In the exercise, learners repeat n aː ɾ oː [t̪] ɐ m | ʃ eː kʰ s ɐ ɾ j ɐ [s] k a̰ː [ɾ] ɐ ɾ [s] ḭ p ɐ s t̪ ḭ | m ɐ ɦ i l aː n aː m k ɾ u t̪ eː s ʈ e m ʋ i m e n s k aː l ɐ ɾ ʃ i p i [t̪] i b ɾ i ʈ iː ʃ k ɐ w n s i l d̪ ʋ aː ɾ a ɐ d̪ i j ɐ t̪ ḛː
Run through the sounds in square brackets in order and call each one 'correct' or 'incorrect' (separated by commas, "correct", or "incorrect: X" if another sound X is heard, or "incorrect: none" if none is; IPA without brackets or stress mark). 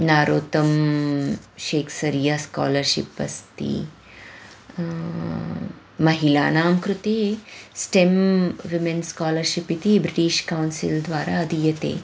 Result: correct, correct, incorrect: l, incorrect: ʃ, correct